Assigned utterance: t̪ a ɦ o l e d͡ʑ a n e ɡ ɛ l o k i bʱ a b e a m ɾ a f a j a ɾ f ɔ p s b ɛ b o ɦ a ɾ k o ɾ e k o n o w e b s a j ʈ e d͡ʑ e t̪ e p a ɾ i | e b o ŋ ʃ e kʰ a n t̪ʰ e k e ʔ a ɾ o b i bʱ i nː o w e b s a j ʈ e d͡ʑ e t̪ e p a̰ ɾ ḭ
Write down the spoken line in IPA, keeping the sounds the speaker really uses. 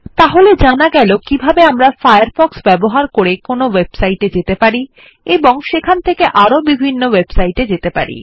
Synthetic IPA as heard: t̪ a ɦ o l e d͡ʑ a n a ɡ ɛ l o k i bʱ a b e a m ɾ a f a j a ɾ f ɔ k s b ɛ b o ɦ a ɾ k o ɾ e k o n o w e b s a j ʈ e d͡ʑ e t̪ e p a ɾ i | e b o ŋ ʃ e kʰ a n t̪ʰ e k e ʔ a ɾ o b i bʱ i nː o w e b s a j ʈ e d͡ʑ e t̪ e p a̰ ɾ ḭ